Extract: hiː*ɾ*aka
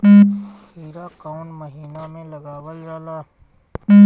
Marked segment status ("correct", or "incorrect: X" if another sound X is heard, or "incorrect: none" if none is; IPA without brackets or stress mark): correct